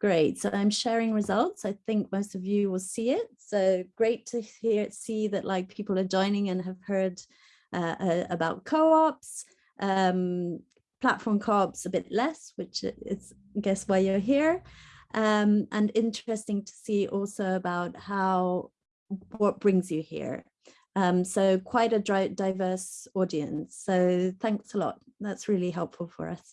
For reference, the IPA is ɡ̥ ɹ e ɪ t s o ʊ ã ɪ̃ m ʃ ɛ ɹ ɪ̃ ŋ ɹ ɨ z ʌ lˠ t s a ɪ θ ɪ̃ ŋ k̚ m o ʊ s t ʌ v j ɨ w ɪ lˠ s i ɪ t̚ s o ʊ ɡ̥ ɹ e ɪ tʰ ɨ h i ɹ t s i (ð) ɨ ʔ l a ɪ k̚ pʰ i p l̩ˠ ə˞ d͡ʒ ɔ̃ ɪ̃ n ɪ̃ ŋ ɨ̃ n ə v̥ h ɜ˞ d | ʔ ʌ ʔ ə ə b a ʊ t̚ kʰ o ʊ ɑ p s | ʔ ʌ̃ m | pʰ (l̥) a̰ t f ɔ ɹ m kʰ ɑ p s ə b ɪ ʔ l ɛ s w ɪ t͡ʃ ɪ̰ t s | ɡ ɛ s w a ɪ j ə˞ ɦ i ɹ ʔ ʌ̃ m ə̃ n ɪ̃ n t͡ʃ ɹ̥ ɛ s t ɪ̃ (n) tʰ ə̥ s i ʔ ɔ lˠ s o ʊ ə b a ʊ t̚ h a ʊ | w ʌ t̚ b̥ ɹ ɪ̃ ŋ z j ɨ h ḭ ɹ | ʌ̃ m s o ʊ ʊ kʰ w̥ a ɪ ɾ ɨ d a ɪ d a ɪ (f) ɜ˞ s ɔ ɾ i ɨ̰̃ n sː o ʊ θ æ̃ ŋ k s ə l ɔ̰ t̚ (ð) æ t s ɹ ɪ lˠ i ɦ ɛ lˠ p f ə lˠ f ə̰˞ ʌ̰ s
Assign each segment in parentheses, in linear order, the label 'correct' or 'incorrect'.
correct, correct, incorrect: ŋ, incorrect: v, correct

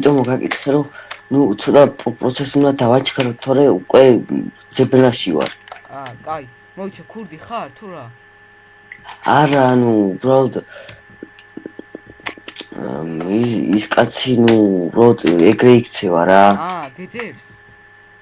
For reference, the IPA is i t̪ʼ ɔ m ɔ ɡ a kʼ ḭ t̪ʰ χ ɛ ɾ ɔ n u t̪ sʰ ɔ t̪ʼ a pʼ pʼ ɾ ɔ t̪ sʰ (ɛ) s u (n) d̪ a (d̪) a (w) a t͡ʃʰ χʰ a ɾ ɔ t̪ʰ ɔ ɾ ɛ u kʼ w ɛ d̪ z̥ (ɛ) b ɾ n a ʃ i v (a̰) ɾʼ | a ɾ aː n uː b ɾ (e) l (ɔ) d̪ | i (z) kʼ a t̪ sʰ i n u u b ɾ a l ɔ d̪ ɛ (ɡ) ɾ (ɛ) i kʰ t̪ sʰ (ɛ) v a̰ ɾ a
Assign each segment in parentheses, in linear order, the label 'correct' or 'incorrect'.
correct, correct, correct, incorrect: v, correct, correct, incorrect: a, correct, incorrect: s, correct, correct, correct

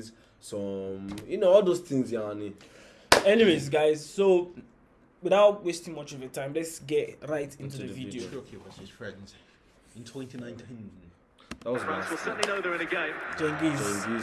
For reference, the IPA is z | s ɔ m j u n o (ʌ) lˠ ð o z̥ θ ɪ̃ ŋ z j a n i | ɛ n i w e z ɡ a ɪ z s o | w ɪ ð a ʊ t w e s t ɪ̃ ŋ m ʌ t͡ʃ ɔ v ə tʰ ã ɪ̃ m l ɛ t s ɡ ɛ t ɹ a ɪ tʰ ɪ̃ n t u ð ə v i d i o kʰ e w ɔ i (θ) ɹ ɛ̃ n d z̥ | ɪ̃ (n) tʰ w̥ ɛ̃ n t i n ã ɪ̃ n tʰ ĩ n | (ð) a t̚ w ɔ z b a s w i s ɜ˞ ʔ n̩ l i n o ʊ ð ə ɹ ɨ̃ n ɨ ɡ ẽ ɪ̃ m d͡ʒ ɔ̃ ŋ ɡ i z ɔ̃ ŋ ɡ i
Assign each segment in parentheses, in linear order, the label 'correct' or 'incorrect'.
incorrect: ɔ, incorrect: f, correct, correct

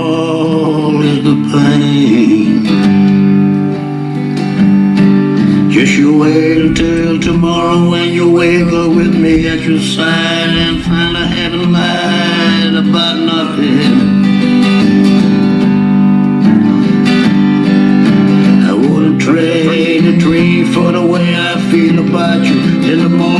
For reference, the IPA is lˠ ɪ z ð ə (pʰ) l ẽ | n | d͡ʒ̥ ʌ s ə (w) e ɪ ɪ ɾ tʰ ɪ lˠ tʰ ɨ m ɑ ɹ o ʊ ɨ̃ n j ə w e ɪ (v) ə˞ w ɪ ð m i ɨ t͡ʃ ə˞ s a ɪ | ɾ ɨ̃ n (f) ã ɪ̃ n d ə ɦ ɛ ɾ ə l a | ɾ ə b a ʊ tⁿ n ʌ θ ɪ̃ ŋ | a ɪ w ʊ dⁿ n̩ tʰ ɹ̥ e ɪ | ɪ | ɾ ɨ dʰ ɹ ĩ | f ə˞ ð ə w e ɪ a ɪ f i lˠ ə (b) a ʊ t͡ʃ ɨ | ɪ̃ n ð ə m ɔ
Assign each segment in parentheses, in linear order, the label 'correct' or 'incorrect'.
correct, correct, correct, correct, correct

